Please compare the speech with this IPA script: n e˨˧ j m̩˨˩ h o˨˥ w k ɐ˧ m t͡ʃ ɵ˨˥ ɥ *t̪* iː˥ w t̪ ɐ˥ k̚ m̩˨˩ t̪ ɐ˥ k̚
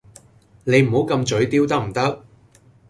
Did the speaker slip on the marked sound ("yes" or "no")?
no